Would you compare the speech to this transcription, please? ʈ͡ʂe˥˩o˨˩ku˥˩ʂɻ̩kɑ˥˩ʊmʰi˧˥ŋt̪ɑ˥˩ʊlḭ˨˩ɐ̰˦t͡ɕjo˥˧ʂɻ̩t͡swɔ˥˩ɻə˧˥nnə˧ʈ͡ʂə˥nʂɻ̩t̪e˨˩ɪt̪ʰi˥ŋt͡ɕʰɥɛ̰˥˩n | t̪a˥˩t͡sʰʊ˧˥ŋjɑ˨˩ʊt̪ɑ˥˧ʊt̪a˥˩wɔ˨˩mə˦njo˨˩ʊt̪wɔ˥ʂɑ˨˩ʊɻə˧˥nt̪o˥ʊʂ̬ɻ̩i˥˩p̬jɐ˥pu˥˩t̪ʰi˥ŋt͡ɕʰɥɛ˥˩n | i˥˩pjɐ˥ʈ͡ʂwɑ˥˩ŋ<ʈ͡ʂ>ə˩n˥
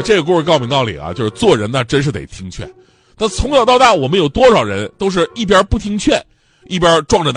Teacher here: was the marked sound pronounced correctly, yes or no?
yes